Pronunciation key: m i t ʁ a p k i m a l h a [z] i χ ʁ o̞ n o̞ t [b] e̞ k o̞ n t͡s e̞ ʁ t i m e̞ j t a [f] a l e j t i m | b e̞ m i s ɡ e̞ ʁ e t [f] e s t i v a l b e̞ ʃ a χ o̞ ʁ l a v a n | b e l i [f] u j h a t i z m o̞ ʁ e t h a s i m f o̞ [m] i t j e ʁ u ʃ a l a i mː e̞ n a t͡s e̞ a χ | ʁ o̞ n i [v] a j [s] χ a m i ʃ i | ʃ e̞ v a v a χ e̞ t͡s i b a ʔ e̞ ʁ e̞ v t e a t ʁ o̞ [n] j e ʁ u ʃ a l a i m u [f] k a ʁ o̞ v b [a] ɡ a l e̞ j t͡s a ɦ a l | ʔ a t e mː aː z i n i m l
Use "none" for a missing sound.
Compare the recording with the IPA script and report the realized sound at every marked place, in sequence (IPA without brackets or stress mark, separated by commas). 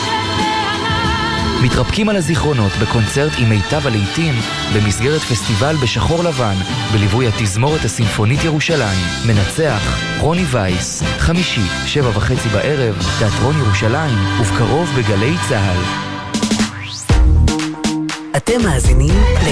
z, b, v, f, v, n, v, s, n, v, e